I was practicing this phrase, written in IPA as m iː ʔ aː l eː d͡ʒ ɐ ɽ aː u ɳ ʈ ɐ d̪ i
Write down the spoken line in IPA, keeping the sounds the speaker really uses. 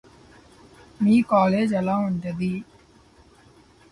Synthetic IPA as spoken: m iː k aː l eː d͡ʒ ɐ l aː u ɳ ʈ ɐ d̪ i